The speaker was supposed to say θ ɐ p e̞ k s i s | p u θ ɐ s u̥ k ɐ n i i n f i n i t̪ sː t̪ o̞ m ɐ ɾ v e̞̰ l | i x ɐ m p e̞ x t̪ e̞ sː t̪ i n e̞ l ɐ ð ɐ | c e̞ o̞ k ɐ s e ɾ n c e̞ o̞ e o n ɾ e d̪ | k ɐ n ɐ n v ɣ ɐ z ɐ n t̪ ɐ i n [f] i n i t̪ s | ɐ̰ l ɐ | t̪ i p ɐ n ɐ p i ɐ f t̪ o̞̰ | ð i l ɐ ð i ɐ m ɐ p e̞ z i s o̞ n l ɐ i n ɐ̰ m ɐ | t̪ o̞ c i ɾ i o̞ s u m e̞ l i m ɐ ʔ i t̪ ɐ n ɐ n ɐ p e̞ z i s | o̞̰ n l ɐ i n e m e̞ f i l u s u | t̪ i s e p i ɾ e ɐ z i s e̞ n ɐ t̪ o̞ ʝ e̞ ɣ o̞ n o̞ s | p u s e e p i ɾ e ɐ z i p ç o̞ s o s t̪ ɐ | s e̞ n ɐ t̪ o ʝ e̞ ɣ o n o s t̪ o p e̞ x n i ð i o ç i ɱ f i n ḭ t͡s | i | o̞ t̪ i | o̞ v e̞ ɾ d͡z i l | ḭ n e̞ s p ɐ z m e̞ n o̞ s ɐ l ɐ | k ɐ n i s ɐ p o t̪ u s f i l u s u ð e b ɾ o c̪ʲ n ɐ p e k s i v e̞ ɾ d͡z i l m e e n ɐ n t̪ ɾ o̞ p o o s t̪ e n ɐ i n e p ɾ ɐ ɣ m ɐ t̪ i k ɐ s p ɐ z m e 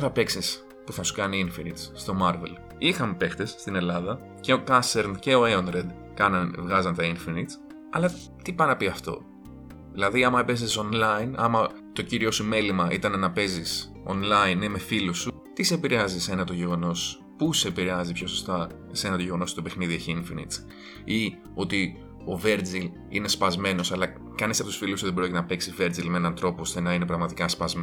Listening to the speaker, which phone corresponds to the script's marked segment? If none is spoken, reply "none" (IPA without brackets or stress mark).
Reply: f